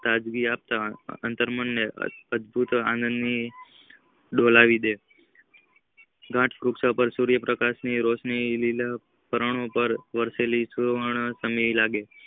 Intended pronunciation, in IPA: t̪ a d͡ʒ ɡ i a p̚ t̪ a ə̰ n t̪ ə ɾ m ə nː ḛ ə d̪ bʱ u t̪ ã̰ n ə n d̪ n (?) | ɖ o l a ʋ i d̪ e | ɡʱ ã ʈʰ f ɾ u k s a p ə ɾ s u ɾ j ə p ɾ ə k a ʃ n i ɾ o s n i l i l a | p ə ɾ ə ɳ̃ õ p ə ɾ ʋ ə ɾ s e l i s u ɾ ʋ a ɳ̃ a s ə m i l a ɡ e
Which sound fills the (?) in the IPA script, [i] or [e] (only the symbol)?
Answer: i